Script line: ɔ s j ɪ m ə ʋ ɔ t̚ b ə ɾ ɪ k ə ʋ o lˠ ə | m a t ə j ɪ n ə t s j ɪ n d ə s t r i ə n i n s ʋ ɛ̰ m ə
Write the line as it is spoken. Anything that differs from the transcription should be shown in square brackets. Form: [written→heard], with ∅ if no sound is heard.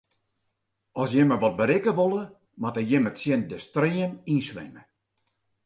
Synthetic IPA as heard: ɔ s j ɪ m ə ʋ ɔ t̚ b ə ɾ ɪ k ə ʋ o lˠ ə | m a t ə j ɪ [n→m] ə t s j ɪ n d ə s t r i ə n i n s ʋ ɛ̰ m ə